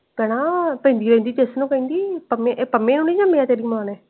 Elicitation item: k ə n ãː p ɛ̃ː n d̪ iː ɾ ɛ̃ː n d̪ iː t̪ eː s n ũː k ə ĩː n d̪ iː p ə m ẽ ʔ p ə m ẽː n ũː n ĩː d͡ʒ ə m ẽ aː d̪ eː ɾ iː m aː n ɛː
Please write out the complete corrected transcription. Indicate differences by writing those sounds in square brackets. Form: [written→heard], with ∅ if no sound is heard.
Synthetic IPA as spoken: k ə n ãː p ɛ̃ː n d̪ iː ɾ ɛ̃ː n d̪ iː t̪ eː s n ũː k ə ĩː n d̪ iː p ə m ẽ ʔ p ə m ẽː n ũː n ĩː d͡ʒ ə m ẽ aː [d̪→t̪] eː ɾ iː m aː n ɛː

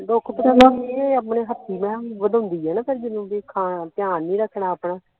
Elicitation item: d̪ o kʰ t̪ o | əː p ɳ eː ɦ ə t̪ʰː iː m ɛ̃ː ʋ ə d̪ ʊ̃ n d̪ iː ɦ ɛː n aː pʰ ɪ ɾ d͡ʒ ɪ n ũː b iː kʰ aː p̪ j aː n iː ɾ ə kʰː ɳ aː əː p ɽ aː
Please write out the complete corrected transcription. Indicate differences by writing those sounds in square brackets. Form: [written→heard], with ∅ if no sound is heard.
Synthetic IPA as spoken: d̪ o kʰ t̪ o | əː p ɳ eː ɦ ə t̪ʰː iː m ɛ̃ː ʋ ə d̪ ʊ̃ n d̪ iː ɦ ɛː n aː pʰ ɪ ɾ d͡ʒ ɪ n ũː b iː kʰ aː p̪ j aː n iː ɾ ə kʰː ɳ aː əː p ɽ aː

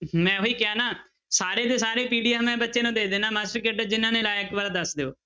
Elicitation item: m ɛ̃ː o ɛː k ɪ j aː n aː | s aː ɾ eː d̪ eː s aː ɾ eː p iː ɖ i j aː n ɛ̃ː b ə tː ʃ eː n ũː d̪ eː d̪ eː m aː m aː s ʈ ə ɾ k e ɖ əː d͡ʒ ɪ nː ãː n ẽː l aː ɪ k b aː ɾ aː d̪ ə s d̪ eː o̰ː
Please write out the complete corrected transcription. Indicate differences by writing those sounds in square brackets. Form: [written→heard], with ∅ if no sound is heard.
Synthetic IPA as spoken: m ɛ̃ː o [ɛː→iː] k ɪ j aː n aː | s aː ɾ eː d̪ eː s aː ɾ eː p iː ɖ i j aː [n→m] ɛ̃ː b ə tː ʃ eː n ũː d̪ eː d̪ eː [m→n] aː m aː s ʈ ə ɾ k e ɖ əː d͡ʒ ɪ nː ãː n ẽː l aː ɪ k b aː ɾ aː d̪ ə s d̪ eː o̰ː

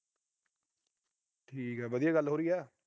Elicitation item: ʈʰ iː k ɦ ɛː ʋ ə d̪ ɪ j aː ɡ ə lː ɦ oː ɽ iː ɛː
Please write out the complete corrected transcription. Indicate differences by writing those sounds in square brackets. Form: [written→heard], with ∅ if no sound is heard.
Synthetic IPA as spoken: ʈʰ iː k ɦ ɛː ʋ ə d̪ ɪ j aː ɡ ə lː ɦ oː [ɽ→ɾ] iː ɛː

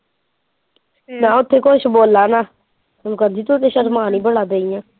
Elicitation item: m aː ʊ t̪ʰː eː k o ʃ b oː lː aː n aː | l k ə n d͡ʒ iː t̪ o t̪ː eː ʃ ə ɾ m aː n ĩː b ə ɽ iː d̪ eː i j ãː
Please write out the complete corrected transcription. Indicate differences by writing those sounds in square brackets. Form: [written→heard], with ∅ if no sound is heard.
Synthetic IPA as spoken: [m→n] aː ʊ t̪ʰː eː k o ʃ b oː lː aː n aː | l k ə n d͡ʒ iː t̪ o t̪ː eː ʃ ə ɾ m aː n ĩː b ə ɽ [iː→aː] d̪ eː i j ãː

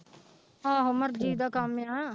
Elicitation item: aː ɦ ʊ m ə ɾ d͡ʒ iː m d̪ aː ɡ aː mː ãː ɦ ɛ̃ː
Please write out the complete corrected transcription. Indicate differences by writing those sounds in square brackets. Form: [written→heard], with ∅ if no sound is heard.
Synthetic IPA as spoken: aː ɦ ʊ m ə ɾ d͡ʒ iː [m→∅] d̪ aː [ɡ→k] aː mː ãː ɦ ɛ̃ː

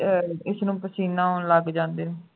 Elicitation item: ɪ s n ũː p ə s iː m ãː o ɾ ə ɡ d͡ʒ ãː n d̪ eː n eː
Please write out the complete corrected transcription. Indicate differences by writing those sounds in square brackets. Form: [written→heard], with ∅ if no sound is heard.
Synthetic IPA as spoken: ɪ s n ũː p ə s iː [m→n] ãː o [ɾ→l] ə ɡ d͡ʒ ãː n d̪ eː n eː

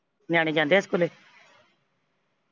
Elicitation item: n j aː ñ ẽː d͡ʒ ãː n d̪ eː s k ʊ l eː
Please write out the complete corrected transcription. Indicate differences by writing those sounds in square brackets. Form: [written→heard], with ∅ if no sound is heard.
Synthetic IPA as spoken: n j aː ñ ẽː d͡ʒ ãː n d̪ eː s k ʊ l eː

